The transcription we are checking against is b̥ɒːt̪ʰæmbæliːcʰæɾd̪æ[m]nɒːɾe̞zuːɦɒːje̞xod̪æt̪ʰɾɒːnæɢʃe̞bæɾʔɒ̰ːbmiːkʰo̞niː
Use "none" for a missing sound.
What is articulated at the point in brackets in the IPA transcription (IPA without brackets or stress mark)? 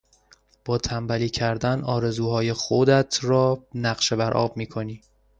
none